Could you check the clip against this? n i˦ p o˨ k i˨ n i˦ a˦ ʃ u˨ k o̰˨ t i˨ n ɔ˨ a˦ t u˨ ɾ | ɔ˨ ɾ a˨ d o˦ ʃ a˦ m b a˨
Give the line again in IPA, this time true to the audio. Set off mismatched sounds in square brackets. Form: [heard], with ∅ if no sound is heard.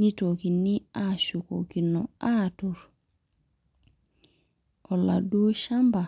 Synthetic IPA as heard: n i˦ [t] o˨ k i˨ n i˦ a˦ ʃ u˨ k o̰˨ [k] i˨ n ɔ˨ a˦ t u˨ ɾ | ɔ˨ [l] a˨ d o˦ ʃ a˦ m b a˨